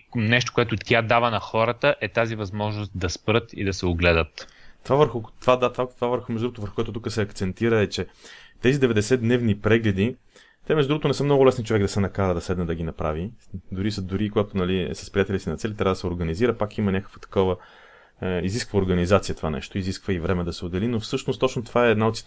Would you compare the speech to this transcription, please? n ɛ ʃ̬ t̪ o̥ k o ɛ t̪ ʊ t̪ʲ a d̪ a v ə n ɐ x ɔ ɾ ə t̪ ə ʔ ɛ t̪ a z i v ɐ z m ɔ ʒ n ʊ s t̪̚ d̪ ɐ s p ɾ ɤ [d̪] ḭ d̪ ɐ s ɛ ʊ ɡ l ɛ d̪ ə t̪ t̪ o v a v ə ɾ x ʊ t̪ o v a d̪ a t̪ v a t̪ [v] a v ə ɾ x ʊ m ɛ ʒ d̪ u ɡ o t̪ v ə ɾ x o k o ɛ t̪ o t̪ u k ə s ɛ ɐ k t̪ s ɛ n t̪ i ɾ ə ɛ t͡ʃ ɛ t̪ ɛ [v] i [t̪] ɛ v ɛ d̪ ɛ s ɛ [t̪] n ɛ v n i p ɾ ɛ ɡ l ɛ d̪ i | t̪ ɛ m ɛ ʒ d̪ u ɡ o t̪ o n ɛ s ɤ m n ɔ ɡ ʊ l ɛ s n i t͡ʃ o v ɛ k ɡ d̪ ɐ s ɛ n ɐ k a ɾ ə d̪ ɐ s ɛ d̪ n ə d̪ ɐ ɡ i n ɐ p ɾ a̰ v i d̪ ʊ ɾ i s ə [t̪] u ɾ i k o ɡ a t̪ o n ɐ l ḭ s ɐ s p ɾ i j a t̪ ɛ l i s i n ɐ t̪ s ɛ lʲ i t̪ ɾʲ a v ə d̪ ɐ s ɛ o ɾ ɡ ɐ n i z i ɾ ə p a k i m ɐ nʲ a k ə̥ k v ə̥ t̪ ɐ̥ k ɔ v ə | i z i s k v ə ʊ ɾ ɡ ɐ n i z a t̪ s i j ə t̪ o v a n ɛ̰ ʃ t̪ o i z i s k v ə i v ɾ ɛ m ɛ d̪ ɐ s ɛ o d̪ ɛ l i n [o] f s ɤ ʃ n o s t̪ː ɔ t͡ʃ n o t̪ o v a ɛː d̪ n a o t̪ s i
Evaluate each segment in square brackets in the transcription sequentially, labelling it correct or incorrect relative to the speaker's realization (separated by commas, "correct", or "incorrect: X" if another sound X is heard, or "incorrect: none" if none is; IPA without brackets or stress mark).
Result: incorrect: t̪, correct, incorrect: z, incorrect: d̪, incorrect: d̪, incorrect: d̪, correct